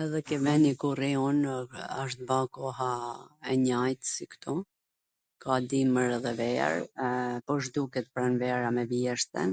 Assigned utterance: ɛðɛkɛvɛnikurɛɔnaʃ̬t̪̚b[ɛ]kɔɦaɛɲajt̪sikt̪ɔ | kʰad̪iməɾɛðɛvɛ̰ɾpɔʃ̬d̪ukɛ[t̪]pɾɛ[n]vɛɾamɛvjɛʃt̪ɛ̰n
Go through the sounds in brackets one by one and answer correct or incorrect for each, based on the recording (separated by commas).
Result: incorrect, correct, correct